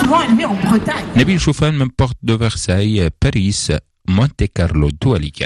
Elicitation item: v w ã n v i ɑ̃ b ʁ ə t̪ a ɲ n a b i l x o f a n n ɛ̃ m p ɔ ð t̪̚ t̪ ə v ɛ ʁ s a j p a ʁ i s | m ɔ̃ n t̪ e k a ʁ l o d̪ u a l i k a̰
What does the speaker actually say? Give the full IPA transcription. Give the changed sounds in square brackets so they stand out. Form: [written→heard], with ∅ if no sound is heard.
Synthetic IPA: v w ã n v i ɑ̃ b ʁ ə t̪ a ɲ n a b i l [x→ʃ] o f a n [n→m] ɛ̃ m p ɔ [ð→ʁ] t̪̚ [t̪→d̪] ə v ɛ ʁ s a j p a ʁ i s | m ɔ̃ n t̪ e k a ʁ l o d̪ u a l i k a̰